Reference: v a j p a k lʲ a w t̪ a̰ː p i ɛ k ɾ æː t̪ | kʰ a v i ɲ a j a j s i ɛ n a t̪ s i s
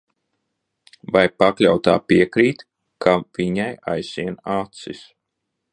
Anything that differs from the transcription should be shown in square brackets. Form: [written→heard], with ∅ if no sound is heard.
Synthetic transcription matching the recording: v a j p a k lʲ a w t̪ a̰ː p i ɛ k ɾ [æː→iː] t̪ | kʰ a v i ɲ a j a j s i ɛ n a t̪ s i s